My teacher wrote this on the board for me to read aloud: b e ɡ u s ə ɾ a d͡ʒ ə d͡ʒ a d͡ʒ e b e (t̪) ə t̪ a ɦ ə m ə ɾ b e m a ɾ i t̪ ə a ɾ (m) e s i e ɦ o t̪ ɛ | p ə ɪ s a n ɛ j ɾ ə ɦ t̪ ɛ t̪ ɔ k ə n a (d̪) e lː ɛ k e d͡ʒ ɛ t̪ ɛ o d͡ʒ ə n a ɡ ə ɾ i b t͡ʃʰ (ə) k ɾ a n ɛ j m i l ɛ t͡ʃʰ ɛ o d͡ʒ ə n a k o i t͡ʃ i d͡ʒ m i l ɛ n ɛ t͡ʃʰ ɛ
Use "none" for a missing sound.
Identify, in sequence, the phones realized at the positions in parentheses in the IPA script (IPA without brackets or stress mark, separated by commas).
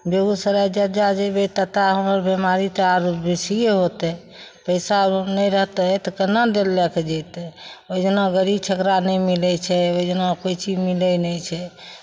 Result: t̪, b, d̪, ə